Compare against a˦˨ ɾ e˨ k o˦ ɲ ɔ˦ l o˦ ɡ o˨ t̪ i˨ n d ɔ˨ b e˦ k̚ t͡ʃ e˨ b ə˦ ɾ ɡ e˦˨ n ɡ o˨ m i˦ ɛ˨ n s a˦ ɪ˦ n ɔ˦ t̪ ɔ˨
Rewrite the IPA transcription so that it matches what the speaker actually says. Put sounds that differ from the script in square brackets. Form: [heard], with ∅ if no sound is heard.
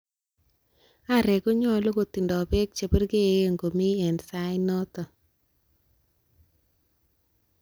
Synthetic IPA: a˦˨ ɾ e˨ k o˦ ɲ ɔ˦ l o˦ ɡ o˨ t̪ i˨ n d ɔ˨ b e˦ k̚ t͡ʃ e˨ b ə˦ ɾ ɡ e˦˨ [ŋ] ɡ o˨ m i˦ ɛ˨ n s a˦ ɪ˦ n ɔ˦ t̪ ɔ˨